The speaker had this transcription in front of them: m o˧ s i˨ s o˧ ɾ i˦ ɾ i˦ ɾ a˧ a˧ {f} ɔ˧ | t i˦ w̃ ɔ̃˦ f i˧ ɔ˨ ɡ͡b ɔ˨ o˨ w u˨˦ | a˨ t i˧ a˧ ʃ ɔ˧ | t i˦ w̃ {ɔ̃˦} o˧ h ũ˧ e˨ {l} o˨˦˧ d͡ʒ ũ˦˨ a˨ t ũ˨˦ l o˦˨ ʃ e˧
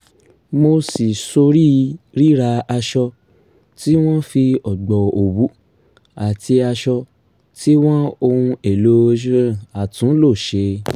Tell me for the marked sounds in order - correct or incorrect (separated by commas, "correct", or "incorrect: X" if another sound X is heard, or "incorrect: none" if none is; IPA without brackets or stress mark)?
incorrect: ʃ, correct, correct